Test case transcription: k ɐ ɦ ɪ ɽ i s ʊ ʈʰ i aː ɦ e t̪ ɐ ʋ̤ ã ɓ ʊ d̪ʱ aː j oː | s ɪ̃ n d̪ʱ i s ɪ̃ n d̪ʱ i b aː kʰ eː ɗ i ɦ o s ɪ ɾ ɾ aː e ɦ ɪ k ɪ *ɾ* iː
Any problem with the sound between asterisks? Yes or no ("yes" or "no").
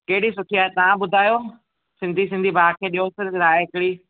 yes